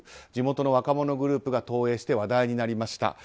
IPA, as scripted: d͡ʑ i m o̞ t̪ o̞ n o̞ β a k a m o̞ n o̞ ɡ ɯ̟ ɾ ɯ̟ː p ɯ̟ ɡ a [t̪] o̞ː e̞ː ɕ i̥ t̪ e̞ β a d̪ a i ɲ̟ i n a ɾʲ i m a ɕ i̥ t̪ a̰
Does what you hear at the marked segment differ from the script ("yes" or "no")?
no